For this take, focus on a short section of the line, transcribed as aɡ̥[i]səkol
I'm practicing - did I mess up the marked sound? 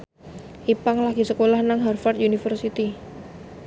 no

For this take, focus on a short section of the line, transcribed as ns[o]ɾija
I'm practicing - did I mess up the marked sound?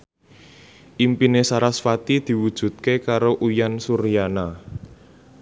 yes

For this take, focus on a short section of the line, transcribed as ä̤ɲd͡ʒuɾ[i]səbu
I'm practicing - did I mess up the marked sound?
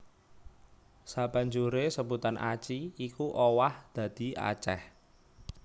yes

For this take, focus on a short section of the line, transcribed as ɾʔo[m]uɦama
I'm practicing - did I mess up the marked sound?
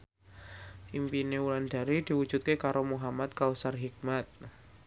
no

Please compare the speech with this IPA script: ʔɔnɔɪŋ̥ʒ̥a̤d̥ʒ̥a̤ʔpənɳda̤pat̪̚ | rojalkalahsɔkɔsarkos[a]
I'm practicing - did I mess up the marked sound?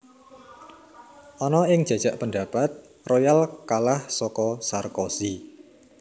yes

